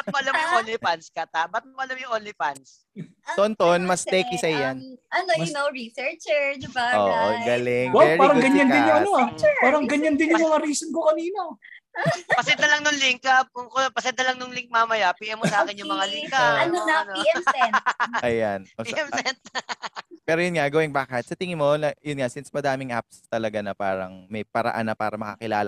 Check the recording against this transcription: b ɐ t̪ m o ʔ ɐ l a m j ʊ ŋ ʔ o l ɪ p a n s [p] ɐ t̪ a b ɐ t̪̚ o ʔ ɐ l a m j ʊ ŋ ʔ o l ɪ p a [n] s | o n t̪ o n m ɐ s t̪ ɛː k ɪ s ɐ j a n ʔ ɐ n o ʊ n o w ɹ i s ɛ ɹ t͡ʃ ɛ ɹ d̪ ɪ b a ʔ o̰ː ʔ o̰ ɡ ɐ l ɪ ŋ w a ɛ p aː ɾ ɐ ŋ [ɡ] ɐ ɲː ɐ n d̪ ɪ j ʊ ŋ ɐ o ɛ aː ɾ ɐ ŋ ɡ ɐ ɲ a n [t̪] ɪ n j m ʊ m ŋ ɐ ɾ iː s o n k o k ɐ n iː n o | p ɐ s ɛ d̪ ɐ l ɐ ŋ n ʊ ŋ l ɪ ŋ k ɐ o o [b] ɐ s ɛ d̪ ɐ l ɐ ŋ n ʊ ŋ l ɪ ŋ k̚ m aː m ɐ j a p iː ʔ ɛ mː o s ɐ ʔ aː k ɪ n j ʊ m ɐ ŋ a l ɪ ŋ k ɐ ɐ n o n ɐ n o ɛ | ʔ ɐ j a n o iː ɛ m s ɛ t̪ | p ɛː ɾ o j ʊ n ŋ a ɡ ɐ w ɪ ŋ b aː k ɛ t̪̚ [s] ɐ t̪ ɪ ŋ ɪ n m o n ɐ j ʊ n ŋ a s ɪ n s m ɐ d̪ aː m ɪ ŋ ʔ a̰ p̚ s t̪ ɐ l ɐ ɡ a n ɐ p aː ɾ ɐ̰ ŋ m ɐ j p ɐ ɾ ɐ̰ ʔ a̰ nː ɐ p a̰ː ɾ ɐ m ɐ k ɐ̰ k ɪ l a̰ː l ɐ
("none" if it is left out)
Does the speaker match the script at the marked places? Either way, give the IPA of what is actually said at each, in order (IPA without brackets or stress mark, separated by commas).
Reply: k, n, ɡ, d̪, p, s